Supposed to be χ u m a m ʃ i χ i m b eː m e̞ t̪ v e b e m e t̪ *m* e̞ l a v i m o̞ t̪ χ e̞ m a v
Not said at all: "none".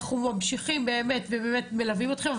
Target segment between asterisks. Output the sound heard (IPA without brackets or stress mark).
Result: m